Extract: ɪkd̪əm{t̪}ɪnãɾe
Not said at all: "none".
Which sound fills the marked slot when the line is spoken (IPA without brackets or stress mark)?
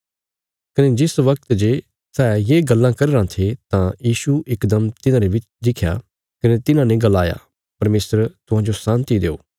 t̪